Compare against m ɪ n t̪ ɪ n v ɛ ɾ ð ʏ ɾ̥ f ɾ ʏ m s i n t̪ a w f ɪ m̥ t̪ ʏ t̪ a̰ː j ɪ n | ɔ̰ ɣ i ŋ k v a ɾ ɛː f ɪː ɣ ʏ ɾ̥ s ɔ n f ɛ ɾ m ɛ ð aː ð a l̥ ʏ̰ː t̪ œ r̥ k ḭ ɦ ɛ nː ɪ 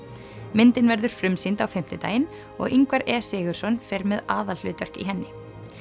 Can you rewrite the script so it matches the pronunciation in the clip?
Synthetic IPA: m ɪ n t̪ ɪ n v ɛ ɾ ð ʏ ɾ̥ f ɾ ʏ m s i n t̪ a w f ɪ m̥ t̪ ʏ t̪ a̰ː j ɪ n | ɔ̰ ɣ i ŋ k v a ɾ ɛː s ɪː ɣ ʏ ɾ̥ s ɔ n f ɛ ɾ m ɛ ð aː ð a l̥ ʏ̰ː t̪ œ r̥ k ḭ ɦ ɛ nː ɪ